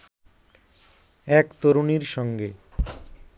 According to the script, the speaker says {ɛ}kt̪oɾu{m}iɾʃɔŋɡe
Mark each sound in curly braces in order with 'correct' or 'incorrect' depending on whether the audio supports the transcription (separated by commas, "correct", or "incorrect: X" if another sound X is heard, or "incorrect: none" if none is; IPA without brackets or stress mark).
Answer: correct, incorrect: n